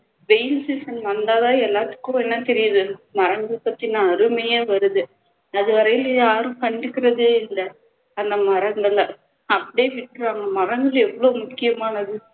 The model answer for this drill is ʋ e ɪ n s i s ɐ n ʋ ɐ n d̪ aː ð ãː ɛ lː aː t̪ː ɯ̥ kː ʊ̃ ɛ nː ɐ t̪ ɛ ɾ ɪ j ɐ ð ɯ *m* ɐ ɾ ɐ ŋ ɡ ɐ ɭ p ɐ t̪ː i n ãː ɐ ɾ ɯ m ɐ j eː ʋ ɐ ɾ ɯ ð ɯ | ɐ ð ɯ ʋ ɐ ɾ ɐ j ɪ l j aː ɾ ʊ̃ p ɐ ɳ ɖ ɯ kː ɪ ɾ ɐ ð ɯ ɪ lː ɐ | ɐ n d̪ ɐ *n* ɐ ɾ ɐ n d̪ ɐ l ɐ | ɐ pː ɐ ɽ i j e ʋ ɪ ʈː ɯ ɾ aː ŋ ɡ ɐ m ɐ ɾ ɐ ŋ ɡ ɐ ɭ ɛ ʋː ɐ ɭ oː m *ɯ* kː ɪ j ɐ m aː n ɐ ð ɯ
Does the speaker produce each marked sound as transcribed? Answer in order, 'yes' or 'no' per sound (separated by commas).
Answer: yes, no, no